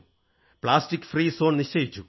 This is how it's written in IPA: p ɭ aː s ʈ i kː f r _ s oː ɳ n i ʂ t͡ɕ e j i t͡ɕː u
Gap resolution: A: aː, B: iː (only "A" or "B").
B